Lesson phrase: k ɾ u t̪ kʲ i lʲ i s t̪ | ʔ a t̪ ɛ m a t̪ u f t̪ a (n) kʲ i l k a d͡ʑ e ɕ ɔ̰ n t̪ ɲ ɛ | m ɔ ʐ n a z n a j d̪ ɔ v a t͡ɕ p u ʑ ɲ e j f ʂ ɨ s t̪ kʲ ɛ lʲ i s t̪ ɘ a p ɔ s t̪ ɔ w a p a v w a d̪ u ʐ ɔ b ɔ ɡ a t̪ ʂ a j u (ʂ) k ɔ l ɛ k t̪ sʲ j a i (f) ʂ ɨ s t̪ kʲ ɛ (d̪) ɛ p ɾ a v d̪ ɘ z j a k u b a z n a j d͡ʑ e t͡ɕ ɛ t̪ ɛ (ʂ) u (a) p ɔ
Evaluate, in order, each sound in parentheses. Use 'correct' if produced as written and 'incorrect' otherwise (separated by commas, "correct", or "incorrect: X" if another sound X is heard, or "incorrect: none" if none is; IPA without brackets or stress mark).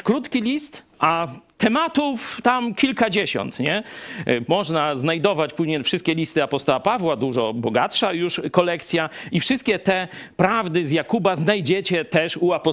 incorrect: m, correct, correct, incorrect: t̪, correct, correct